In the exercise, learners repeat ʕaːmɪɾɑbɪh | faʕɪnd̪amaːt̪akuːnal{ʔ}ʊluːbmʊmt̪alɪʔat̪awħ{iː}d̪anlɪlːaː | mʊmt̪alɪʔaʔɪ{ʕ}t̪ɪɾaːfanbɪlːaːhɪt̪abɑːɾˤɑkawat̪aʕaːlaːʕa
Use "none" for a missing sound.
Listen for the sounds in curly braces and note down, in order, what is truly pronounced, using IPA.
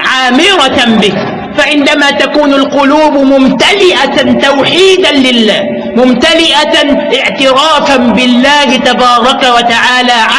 q, iː, ʕ

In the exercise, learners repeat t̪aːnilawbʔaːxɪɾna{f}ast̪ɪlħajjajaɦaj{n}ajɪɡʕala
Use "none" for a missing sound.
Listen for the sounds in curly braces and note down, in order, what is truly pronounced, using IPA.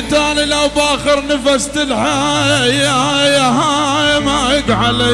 f, m

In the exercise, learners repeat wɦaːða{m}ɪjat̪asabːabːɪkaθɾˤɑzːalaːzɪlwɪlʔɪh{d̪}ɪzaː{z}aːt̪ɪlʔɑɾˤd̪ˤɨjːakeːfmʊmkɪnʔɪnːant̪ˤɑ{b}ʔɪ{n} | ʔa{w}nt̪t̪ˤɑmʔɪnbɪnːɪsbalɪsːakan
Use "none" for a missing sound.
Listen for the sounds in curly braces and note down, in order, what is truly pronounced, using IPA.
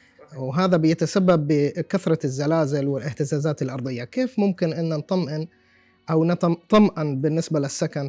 b, t̪, z, m, n, w

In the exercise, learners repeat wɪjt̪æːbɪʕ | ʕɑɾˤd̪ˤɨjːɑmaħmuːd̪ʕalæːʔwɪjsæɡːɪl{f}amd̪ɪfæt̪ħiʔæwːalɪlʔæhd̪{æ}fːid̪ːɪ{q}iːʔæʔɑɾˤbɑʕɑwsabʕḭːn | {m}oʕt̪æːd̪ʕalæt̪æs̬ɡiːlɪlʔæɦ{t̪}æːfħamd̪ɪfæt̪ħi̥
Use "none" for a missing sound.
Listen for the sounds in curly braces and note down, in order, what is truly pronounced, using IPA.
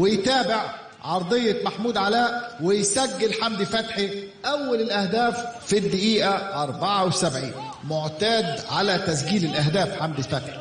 ħ, æː, ʔ, m, d̪

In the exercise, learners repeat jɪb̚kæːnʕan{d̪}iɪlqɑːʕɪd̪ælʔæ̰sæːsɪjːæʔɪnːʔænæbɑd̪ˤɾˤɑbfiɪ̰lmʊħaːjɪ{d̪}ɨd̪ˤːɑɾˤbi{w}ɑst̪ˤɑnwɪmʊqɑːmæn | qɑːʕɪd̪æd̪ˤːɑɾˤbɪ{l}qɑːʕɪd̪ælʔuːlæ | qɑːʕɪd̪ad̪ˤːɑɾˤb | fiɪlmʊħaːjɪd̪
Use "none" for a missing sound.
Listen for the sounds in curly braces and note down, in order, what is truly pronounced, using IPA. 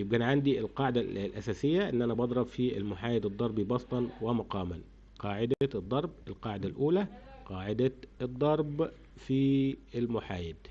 d̪, d̪, b, l

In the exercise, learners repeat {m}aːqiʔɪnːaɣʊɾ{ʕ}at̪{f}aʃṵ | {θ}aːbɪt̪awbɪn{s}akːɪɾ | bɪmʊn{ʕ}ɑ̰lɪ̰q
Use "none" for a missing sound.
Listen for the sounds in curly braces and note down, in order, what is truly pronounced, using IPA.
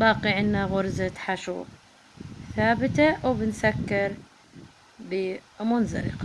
b, z, ħ, θ, s, z

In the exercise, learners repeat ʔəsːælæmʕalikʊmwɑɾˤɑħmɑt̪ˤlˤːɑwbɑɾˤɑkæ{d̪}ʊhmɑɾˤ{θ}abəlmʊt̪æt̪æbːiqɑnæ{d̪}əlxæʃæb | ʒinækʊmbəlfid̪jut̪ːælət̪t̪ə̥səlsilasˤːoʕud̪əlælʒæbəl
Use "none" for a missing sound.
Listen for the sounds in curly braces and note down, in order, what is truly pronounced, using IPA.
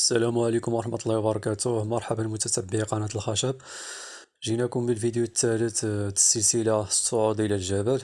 t̪, ħ, t̪

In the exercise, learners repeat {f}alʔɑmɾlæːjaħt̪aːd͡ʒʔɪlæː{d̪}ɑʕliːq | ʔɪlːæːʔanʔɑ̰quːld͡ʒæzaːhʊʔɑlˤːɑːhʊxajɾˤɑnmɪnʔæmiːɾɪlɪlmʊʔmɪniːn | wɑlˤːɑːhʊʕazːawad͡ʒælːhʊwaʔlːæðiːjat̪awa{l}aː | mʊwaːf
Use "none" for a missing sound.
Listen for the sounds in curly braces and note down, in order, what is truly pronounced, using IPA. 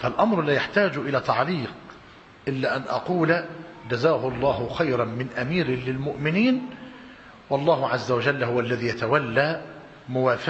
f, t̪, lː

